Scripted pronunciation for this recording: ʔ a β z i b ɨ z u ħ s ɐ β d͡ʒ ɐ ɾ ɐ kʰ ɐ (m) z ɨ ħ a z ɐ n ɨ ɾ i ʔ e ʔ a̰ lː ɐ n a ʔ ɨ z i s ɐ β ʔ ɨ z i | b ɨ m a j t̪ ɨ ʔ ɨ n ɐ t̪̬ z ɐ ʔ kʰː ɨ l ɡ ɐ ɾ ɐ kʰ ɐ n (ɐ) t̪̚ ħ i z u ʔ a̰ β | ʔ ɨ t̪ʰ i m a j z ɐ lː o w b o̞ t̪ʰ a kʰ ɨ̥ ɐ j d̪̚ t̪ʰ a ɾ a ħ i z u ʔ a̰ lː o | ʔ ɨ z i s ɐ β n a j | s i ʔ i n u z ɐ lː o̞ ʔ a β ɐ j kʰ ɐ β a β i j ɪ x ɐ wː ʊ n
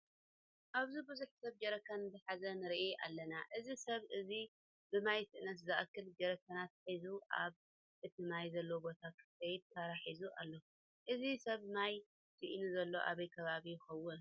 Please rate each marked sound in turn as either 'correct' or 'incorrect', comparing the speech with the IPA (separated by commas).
incorrect, incorrect